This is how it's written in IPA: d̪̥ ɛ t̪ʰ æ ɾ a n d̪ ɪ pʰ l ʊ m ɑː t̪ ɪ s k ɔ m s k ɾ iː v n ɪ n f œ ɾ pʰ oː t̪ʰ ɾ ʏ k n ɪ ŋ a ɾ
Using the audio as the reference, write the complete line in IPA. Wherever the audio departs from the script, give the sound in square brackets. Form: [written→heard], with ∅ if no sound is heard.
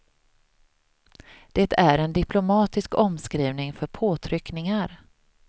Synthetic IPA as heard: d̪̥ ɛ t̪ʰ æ ɾ [a→ɛ] n d̪ ɪ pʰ l ʊ m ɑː t̪ ɪ s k ɔ m s k ɾ iː v n ɪ [n→ŋ] f œ ɾ pʰ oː t̪ʰ ɾ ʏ k n ɪ ŋ a ɾ